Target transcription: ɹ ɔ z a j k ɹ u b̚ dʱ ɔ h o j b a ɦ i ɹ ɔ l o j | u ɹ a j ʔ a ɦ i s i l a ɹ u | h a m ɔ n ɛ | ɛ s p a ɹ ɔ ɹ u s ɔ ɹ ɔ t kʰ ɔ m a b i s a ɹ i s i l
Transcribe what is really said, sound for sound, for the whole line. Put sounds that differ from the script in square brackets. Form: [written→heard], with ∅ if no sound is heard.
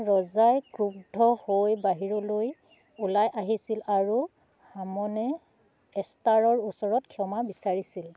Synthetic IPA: ɹ ɔ z a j k ɹ u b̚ dʱ ɔ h o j b a ɦ i ɹ ɔ l o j | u [ɹ→l] a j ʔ a ɦ i s i l a ɹ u | h a m ɔ n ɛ | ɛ s [p→t] a ɹ ɔ ɹ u s ɔ ɹ ɔ t kʰ ɔ m a b i s a ɹ i s i l